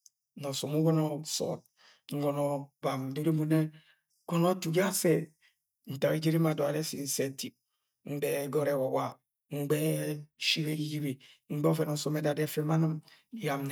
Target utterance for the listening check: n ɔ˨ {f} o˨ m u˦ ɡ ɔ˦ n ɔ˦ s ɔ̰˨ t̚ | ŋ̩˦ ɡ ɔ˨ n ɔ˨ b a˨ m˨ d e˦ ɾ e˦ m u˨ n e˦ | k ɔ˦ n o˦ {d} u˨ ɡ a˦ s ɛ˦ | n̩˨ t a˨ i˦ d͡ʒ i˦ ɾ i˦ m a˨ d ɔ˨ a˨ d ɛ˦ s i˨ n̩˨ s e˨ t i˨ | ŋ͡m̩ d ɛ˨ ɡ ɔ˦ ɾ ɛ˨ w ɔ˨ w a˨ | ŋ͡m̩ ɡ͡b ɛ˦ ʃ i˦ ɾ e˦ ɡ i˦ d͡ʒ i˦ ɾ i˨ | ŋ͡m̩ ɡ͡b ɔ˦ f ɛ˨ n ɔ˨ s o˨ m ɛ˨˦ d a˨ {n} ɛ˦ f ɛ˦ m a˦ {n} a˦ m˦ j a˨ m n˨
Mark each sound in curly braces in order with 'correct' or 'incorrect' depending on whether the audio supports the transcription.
incorrect: s, incorrect: t, incorrect: d, correct

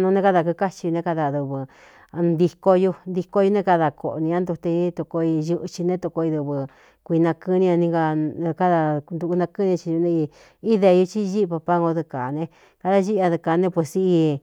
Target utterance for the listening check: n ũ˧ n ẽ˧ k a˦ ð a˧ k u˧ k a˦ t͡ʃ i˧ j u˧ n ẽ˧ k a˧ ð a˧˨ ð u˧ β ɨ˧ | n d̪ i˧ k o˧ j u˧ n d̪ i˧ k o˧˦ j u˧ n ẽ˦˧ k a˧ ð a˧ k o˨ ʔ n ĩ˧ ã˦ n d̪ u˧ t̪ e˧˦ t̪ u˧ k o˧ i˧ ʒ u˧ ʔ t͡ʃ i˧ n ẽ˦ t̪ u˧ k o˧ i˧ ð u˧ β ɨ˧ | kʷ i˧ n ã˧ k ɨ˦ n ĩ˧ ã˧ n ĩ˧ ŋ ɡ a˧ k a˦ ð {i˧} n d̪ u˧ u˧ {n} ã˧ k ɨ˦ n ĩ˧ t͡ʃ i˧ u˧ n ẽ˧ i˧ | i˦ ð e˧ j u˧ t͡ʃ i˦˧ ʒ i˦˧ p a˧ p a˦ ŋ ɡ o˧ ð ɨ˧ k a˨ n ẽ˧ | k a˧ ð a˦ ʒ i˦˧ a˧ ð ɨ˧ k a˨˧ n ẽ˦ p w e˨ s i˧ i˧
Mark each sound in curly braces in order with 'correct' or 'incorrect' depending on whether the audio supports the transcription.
incorrect: a˧, correct

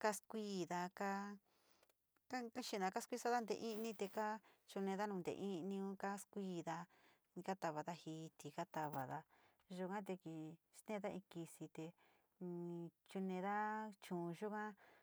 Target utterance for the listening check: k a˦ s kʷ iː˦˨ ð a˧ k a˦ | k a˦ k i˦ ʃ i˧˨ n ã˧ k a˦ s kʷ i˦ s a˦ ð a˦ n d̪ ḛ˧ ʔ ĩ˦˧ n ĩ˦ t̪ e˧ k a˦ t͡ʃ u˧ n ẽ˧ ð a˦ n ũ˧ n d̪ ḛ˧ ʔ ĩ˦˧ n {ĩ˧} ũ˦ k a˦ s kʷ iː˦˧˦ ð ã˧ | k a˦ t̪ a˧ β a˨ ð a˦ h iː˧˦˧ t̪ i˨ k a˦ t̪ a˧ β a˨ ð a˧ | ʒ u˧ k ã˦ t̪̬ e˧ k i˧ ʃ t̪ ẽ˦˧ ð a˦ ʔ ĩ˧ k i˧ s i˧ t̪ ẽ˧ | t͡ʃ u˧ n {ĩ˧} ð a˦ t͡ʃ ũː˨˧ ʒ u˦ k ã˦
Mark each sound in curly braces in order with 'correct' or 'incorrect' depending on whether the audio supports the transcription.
correct, incorrect: ẽ˧

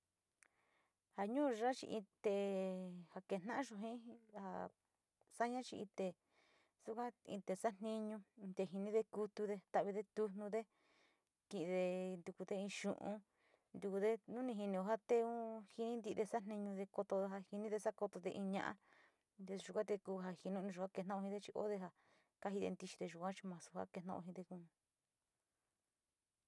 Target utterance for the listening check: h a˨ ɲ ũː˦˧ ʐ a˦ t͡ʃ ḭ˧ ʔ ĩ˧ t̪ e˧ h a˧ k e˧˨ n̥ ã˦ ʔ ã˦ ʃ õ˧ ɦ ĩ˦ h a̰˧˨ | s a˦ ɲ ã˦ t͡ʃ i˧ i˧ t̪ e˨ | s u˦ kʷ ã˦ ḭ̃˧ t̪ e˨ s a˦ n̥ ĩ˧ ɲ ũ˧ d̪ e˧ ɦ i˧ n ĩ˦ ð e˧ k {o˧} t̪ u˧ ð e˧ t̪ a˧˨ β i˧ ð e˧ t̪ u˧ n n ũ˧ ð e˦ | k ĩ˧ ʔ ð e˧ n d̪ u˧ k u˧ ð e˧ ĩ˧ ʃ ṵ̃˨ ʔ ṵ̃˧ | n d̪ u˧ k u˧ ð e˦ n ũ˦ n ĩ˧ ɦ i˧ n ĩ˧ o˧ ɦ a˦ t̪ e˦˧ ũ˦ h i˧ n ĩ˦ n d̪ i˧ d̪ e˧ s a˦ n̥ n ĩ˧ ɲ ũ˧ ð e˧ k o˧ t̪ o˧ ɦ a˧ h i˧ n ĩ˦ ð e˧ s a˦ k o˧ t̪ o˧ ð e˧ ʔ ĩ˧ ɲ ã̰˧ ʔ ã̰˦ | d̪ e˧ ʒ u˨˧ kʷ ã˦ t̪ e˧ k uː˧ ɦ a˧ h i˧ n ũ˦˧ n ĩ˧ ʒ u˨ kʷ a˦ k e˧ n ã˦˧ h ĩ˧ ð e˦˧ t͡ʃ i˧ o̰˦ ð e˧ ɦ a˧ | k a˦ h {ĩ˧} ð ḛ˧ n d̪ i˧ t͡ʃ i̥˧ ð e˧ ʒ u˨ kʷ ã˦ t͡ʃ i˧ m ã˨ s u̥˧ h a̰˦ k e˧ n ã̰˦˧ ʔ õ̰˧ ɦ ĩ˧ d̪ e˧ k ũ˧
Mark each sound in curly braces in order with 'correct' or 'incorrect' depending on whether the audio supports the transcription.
incorrect: u˧, incorrect: i˧

